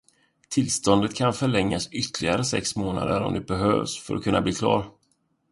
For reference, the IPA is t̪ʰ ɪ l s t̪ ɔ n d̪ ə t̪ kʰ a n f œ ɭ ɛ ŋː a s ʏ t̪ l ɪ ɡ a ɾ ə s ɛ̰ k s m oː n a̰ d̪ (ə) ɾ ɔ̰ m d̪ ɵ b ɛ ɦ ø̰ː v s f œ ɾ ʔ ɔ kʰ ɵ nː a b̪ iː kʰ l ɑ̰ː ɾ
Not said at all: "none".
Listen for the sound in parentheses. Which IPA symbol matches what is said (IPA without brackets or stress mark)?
ə